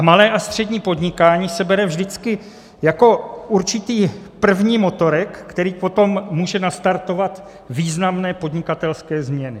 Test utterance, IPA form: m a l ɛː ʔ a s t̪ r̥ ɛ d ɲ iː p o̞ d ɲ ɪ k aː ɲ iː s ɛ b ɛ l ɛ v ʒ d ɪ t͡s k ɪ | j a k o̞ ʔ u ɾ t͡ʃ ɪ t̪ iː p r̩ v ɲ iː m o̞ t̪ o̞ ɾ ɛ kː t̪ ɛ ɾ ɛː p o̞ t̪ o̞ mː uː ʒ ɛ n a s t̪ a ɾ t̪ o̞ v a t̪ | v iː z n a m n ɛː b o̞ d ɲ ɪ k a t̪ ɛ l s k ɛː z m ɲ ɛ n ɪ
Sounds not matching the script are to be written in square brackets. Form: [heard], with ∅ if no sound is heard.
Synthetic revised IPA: m a l ɛː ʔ a s t̪ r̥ ɛ d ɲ iː p o̞ d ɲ ɪ k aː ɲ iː s ɛ b ɛ [ɾ] ɛ v ʒ d ɪ t͡s k ɪ | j a k o̞ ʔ u ɾ t͡ʃ ɪ t̪ iː p r̩ v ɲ iː m o̞ t̪ o̞ ɾ ɛ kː t̪ ɛ ɾ [iː] p o̞ t̪ o̞ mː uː ʒ ɛ n a s t̪ a ɾ t̪ o̞ v a t̪ | v iː z n a m n ɛː [p] o̞ d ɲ ɪ k a t̪ ɛ l s k ɛː z m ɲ ɛ n ɪ

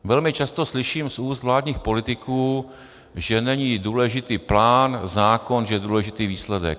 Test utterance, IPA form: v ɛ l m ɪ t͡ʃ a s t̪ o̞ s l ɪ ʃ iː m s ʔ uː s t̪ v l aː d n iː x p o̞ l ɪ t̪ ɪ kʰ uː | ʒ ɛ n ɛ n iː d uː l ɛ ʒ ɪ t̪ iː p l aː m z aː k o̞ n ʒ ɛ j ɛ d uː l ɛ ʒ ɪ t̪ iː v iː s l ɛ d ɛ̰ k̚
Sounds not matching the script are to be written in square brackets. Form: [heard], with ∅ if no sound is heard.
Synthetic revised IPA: v ɛ l m ɪ t͡ʃ a s t̪ o̞ s l ɪ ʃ iː m s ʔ uː s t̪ v l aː d [ɲ] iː x p o̞ l ɪ t̪ ɪ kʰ uː | ʒ ɛ n ɛ [ɲ] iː d uː l ɛ ʒ ɪ t̪ iː p l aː [n] z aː k o̞ n ʒ ɛ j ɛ d uː l ɛ ʒ ɪ t̪ iː v iː s l ɛ d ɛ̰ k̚

